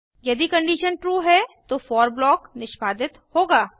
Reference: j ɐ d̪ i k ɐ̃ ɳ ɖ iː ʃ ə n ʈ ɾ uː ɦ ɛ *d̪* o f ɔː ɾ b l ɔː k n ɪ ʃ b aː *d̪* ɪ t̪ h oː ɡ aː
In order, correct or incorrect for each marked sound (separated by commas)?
incorrect, correct